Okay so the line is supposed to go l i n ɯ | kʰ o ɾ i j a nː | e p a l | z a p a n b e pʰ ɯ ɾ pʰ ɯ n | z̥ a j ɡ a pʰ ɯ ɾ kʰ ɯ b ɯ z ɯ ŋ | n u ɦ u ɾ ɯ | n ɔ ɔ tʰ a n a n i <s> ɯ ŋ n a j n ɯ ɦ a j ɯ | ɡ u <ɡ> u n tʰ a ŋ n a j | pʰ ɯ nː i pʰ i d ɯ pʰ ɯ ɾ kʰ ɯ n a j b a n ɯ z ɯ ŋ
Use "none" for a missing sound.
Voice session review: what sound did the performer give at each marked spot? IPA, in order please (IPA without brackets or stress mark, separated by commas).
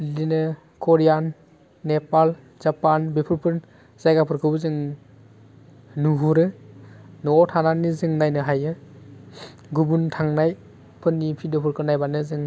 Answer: z, b